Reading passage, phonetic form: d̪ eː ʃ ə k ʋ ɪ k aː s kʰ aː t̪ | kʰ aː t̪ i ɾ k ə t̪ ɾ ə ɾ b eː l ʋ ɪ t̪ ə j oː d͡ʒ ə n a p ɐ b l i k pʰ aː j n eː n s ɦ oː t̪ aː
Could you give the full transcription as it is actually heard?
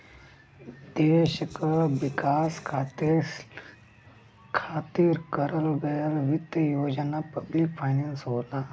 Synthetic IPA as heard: d̪ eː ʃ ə k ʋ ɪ k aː s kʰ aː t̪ | kʰ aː t̪ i ɾ k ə ɾ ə l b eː l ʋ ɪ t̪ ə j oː d͡ʒ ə n a p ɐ b l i k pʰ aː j n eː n s ɦ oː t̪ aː